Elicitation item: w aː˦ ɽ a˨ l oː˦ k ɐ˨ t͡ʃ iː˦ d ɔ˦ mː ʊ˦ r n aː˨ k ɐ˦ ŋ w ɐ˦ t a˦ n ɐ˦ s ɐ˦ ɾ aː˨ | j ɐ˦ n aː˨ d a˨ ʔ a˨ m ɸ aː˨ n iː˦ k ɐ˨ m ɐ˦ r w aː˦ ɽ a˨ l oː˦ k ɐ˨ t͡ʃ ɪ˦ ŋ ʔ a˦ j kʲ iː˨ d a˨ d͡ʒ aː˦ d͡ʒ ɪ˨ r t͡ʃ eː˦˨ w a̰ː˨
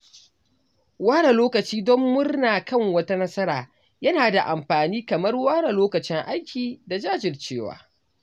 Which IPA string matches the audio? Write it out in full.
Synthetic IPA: w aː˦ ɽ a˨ l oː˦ k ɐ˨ t͡ʃ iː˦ d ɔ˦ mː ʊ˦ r n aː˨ k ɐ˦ ŋ w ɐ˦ t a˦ n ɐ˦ s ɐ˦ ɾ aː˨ | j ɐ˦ n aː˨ d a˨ ʔ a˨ m ɸ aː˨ n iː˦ k ɐ˨ m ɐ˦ r w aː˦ ɽ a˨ l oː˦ k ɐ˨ t͡ʃ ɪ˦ ŋ ʔ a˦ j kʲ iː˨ d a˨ d͡ʒ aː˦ d͡ʒ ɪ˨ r t͡ʃ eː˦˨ w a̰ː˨